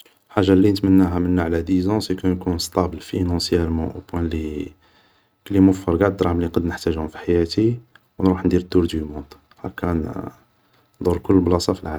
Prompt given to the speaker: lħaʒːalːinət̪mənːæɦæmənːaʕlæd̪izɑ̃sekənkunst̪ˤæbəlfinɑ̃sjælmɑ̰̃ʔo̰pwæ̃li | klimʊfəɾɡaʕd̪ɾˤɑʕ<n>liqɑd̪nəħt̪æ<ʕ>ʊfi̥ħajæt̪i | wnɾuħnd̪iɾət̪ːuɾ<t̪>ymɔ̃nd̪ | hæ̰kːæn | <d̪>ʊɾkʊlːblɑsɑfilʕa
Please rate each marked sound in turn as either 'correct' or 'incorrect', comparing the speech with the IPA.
incorrect: m, incorrect: ʒ, incorrect: d̪, correct

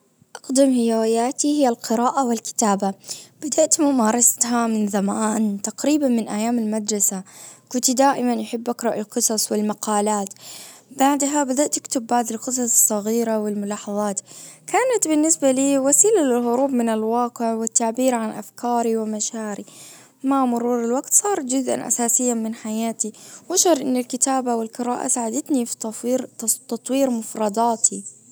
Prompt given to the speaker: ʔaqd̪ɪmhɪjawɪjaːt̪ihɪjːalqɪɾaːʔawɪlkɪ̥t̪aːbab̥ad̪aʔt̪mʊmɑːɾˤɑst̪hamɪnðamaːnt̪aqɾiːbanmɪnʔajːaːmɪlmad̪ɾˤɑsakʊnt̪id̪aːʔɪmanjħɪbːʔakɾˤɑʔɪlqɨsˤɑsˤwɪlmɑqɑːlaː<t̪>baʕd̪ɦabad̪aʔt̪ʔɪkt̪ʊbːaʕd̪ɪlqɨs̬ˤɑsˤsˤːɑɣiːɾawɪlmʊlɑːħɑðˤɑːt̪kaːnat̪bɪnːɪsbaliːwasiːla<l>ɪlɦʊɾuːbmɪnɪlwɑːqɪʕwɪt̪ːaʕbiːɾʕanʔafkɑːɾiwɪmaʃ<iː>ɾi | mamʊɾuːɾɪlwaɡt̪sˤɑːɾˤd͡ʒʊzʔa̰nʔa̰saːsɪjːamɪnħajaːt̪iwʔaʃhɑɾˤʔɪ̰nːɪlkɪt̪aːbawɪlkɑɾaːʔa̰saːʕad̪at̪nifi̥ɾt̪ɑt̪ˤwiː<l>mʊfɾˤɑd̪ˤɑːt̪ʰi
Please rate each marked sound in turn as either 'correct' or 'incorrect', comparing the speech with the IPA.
correct, correct, incorrect: aː, incorrect: ɾ

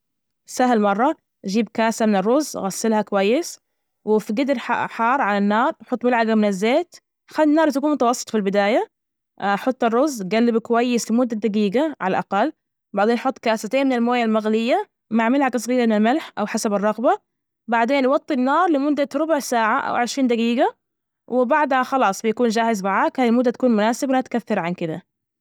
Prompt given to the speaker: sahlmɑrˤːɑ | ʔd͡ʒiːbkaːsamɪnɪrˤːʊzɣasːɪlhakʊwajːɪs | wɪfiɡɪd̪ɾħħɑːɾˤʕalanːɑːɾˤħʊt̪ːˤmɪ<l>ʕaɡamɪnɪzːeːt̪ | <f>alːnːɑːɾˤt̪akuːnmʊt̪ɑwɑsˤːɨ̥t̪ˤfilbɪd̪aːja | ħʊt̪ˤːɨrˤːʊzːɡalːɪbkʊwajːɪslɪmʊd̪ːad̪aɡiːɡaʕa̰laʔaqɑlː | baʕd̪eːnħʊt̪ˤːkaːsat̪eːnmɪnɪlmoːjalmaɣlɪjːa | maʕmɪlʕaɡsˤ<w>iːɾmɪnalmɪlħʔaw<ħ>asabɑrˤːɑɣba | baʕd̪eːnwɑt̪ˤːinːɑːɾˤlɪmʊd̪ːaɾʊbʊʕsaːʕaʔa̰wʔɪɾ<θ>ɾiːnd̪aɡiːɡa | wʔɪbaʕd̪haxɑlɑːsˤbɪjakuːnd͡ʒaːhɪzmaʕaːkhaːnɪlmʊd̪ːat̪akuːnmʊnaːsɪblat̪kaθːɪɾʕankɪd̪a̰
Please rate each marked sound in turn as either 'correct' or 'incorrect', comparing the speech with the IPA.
correct, incorrect: x, incorrect: ɣ, correct, incorrect: ʃ

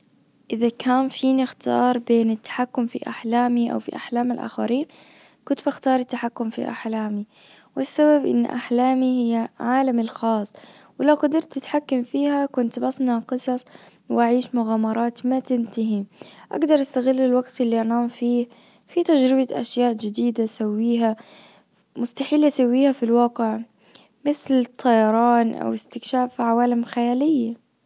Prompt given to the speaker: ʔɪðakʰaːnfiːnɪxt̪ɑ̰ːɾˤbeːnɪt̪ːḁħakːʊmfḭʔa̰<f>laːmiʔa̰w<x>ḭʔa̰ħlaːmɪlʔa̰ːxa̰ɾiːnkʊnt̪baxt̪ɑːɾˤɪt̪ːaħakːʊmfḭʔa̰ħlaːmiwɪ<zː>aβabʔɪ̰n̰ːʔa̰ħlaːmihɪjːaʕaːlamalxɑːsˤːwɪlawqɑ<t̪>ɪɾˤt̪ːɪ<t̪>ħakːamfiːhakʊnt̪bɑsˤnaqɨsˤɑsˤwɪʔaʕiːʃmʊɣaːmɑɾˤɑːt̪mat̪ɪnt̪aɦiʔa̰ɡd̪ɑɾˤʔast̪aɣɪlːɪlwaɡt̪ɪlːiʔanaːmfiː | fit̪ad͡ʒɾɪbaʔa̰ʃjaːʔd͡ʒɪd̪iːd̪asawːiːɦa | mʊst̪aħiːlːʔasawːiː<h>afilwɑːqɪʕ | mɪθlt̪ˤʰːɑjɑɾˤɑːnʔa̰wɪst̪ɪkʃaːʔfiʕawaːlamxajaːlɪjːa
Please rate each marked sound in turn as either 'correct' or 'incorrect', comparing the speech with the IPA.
incorrect: ħ, incorrect: f, incorrect: sː, incorrect: d̪, correct, correct

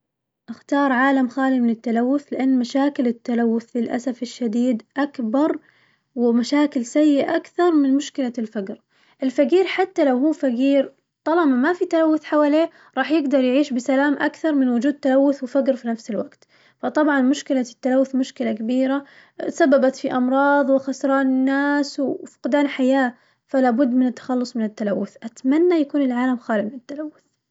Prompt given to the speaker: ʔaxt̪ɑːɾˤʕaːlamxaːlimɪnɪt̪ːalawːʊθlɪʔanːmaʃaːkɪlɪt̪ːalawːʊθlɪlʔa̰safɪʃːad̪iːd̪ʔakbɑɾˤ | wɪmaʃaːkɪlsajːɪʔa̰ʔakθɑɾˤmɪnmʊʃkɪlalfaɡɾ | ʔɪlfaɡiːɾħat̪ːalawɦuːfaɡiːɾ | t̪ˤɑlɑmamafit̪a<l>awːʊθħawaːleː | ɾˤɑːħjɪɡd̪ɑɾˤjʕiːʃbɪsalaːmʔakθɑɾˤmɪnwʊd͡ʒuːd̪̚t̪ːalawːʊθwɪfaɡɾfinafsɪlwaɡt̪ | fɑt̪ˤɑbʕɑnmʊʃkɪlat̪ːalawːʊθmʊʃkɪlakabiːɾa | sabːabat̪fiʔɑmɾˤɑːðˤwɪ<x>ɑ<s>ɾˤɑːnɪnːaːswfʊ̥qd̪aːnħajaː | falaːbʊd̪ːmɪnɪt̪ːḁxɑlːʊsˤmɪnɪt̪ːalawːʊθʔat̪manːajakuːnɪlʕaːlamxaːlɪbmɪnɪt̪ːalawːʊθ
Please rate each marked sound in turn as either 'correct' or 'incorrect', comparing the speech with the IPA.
correct, correct, correct

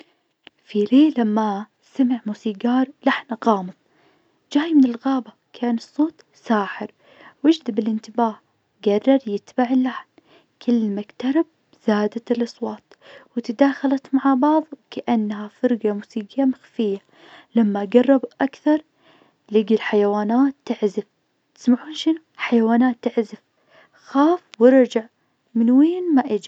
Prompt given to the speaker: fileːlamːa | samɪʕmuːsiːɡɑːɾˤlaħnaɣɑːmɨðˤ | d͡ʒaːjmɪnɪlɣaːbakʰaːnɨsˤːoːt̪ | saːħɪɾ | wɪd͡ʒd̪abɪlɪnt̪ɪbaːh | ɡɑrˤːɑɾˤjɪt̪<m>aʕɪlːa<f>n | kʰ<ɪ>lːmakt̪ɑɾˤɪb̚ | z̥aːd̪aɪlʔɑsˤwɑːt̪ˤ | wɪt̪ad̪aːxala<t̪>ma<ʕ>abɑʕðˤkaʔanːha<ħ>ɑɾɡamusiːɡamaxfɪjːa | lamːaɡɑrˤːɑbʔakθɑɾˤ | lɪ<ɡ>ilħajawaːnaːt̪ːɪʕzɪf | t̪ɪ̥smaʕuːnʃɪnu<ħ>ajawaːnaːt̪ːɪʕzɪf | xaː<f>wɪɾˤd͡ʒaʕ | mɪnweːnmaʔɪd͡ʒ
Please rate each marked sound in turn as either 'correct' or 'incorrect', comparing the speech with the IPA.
incorrect: b, incorrect: ħ, correct, correct, correct, incorrect: f, correct, correct, correct

